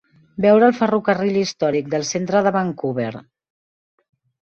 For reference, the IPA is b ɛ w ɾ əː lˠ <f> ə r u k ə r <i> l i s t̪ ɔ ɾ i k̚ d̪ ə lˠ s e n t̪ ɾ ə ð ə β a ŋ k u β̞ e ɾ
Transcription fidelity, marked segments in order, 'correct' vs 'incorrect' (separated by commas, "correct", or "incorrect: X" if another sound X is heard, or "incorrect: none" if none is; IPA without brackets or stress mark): correct, correct